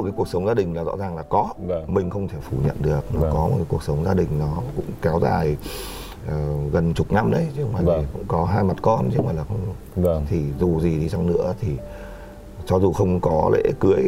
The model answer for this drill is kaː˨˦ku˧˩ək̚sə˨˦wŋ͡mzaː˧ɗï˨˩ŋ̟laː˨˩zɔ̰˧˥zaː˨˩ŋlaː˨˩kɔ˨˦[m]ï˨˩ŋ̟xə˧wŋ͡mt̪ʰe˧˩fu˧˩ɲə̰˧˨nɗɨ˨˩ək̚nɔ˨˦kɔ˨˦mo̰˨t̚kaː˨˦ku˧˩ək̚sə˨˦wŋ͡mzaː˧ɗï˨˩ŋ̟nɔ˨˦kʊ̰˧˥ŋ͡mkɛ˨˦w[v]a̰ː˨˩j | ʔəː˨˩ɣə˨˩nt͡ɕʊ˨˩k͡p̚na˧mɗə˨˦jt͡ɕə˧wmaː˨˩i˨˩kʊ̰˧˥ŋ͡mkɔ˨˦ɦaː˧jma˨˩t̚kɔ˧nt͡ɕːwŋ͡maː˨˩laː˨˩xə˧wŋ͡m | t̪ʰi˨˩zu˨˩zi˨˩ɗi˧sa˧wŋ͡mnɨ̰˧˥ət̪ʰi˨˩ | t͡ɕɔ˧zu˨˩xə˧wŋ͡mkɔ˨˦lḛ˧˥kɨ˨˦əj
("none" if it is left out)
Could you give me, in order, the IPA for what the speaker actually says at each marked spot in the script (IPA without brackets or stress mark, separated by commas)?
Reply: m, z